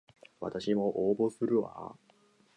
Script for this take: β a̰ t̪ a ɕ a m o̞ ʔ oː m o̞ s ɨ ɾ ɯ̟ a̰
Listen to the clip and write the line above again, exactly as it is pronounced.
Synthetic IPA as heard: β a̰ t̪ a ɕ i m o̞ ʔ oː b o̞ s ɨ ɾ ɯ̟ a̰